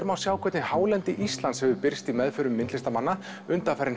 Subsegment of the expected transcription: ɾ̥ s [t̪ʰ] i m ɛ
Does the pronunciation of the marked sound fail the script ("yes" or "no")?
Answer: yes